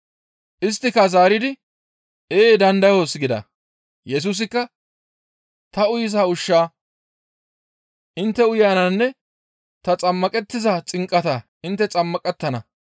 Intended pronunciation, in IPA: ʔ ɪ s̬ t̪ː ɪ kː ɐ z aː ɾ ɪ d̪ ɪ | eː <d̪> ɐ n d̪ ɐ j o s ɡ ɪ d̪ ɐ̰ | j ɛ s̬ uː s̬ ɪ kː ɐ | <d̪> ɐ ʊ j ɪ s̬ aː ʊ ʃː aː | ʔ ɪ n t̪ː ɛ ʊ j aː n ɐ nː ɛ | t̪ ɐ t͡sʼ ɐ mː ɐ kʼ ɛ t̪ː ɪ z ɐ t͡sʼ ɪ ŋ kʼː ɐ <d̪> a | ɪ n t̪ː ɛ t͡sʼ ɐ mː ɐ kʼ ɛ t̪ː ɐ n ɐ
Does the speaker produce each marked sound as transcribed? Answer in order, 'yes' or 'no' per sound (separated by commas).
yes, no, no